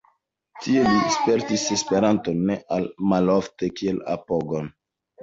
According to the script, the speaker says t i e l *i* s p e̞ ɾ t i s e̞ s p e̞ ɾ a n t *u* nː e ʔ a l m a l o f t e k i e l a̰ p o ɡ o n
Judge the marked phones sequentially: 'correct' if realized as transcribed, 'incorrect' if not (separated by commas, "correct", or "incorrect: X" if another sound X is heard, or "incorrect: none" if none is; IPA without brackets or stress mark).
correct, incorrect: o